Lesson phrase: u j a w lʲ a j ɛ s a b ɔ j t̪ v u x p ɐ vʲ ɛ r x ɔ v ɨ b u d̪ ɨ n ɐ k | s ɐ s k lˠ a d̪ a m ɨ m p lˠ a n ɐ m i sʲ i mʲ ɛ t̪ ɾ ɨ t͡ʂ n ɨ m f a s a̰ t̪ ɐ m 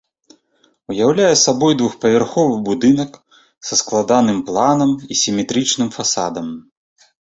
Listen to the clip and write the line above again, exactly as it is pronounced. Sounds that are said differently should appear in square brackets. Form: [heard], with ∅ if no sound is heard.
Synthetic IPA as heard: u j a w lʲ a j ɛ s a b ɔ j [d̪] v u x p ɐ vʲ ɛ r x ɔ v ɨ b u d̪ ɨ n ɐ k | s ɐ s k lˠ a d̪ a [n] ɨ m p lˠ a n ɐ m i sʲ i mʲ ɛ t̪ ɾ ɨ t͡ʂ n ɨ m f a s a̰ [d̪] ɐ m